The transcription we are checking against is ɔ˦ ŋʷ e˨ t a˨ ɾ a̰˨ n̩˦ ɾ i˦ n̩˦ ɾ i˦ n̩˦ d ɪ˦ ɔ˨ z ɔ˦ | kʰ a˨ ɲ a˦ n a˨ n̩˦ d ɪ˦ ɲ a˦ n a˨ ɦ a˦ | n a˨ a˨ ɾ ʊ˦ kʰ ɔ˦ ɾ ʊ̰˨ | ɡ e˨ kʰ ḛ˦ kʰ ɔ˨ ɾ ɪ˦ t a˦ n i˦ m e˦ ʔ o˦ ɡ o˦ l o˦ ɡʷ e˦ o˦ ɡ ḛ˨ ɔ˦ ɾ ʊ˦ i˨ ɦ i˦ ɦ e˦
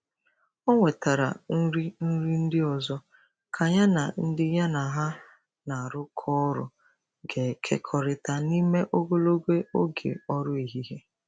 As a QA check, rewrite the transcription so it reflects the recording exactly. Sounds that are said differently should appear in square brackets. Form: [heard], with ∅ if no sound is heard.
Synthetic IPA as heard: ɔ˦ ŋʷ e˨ t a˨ ɾ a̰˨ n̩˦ ɾ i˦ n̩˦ ɾ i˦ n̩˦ d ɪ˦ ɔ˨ z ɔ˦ | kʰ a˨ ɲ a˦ n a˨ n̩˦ d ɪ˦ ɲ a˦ n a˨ ɦ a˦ | n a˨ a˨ ɾ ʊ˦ kʰ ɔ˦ ɾ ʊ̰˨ | ɡ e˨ kʰ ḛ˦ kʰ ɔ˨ ɾ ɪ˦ t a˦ n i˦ m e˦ ʔ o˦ ɡ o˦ l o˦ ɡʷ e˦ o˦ ɡ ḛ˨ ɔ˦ ɾ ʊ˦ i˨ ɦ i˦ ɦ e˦